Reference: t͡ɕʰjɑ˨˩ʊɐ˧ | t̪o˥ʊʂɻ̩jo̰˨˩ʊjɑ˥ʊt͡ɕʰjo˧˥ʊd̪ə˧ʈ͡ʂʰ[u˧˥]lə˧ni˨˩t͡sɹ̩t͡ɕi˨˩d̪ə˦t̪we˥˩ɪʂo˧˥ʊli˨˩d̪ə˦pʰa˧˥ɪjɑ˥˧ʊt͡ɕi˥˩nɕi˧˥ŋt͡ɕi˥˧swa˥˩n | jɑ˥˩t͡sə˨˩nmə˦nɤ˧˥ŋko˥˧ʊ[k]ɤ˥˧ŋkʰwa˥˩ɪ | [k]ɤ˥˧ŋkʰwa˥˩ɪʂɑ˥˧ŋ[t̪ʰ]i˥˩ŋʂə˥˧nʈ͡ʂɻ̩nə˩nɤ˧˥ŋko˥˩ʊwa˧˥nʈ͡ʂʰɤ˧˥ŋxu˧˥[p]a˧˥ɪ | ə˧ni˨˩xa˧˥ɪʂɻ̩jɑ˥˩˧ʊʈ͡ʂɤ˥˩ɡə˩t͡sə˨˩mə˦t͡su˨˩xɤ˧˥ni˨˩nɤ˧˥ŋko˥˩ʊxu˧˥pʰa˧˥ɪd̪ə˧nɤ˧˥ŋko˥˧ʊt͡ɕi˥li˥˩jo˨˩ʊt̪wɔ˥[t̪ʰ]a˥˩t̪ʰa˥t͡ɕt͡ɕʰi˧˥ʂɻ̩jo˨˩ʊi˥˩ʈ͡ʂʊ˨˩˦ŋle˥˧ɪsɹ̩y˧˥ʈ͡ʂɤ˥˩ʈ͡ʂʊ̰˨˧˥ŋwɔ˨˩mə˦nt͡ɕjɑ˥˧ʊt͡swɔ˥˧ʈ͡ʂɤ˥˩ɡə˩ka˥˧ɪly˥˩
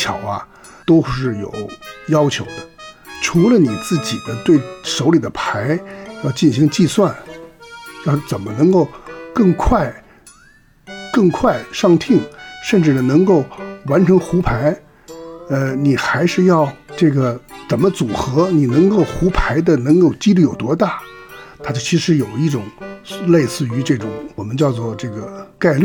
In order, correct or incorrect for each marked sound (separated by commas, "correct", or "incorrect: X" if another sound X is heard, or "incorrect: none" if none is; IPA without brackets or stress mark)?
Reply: correct, correct, correct, correct, incorrect: pʰ, incorrect: t̪